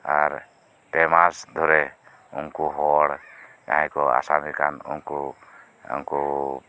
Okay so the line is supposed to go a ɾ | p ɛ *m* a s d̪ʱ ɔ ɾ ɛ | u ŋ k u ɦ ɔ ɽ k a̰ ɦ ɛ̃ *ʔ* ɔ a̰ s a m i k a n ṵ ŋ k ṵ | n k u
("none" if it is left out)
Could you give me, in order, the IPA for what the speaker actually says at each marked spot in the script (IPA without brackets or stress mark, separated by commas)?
m, k